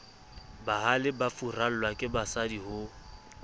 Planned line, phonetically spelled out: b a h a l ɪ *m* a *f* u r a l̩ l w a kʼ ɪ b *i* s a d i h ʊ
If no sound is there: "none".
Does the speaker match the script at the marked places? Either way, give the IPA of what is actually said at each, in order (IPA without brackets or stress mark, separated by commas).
b, f, a